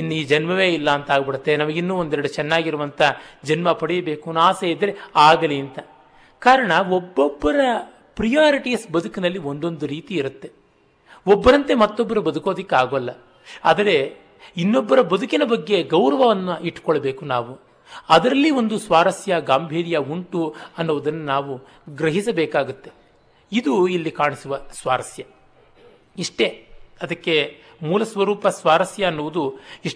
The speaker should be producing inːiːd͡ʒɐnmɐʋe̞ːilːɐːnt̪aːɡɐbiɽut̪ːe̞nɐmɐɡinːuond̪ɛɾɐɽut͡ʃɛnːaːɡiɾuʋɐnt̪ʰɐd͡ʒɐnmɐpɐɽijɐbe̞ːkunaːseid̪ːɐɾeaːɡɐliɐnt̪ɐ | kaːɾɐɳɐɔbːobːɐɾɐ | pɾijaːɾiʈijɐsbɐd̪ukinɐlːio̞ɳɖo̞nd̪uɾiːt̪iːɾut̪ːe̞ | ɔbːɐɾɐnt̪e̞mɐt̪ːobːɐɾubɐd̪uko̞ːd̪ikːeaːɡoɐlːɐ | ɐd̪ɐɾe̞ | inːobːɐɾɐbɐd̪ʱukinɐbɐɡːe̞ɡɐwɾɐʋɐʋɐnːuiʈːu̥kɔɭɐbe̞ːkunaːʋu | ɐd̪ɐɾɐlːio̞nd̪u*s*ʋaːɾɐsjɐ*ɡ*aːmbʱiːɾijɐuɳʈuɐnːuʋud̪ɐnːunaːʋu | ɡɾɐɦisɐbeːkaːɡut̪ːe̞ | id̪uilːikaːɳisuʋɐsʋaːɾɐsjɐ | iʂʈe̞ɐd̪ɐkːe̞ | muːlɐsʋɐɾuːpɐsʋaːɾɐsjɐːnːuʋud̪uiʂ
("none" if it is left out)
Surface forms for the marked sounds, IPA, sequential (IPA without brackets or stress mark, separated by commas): s, ɡ